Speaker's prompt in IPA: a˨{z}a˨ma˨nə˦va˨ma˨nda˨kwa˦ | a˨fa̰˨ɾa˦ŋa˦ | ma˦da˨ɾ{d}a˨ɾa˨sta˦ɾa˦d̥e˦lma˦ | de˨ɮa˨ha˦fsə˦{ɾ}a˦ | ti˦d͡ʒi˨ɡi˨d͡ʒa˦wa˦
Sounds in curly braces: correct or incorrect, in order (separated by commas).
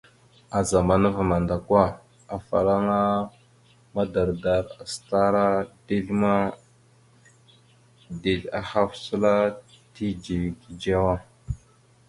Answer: correct, correct, incorrect